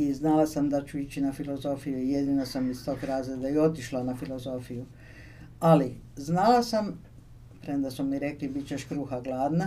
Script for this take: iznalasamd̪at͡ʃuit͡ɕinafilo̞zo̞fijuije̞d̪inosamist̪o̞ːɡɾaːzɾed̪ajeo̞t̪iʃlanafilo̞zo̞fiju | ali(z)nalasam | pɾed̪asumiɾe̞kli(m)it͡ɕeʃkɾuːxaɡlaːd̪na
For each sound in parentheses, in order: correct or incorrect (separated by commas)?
correct, incorrect